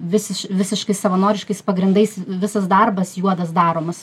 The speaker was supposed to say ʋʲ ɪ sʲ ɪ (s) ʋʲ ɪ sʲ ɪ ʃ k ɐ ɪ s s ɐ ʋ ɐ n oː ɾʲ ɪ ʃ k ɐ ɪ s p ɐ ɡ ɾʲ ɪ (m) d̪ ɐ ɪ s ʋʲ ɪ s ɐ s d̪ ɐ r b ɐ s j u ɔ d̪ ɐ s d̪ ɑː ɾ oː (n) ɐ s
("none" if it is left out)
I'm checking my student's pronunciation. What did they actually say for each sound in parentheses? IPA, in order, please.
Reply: ʃ, n, m

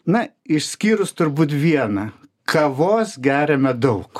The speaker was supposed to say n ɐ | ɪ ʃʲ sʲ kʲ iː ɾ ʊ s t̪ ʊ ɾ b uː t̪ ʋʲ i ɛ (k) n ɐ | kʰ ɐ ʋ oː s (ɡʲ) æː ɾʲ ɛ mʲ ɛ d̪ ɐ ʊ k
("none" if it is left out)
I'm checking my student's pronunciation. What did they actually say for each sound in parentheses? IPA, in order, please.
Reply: none, ɡʲ

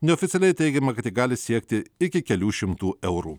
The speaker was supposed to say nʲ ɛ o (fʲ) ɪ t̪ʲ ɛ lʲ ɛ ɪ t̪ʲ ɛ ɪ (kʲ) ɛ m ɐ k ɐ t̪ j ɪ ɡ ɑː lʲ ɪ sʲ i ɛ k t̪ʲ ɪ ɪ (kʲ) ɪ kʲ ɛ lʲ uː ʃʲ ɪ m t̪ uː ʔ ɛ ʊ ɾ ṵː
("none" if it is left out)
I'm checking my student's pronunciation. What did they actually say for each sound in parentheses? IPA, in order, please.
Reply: fʲ, ɡʲ, kʲ

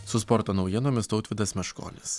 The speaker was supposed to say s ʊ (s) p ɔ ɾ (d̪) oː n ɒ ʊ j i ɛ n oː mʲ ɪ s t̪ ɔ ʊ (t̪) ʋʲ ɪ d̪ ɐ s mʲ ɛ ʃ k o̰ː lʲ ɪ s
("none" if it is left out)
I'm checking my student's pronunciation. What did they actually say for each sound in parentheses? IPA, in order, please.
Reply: s, t̪, t̪

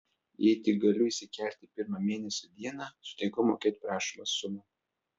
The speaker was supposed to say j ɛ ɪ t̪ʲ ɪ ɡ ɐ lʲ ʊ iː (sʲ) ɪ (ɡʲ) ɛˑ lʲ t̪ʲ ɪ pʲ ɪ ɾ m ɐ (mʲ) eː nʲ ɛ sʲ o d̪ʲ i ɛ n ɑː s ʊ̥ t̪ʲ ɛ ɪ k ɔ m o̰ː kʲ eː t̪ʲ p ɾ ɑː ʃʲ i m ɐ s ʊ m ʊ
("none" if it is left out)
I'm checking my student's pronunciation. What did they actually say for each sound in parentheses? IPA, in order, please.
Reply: sʲ, kʲ, mʲ

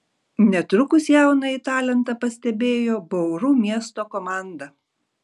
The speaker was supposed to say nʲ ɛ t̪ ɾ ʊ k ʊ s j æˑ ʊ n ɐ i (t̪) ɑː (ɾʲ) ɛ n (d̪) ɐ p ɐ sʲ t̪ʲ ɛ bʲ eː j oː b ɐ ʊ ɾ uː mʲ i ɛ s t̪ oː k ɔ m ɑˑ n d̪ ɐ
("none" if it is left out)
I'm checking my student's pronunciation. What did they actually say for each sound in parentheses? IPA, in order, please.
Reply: t̪, lʲ, t̪

